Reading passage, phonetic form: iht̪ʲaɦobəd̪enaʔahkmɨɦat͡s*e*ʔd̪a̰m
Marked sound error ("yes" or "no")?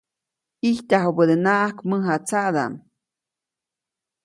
yes